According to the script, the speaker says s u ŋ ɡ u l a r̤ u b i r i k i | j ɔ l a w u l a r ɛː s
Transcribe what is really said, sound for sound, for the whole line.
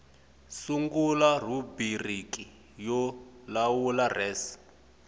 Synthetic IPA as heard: s u ŋ ɡ u l a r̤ u b i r i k i | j ɔ l a w u l a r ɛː s